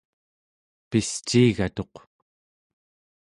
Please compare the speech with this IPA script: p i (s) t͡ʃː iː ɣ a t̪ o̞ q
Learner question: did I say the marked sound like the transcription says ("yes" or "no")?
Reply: yes